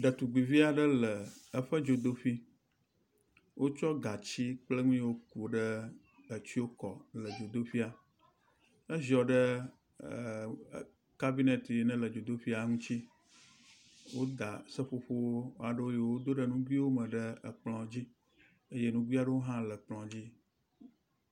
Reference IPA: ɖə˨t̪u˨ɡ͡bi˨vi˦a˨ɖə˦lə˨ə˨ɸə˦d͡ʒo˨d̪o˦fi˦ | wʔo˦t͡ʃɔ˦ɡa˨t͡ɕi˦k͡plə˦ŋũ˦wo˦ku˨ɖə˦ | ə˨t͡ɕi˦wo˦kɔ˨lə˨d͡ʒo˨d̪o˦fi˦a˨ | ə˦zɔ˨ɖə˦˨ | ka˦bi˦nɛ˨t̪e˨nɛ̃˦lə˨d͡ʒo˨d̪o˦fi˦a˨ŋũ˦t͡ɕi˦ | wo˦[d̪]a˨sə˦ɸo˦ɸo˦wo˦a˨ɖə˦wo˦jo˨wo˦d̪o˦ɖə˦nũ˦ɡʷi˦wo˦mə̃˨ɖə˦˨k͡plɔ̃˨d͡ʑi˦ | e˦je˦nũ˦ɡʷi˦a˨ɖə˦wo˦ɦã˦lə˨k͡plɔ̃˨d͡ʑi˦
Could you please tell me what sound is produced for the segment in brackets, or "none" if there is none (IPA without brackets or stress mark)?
d̪